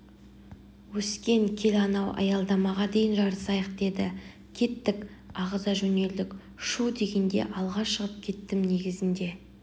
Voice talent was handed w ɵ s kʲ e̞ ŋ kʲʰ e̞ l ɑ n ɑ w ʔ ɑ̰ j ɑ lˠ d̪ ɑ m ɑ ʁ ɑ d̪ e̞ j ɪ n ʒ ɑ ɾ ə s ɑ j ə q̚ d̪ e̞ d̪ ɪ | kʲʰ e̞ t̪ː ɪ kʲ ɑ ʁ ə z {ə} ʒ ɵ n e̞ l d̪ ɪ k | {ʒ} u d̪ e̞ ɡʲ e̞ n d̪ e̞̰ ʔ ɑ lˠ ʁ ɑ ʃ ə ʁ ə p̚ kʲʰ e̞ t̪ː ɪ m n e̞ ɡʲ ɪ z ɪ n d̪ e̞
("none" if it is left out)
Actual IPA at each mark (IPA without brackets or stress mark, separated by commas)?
ɑ, ʃ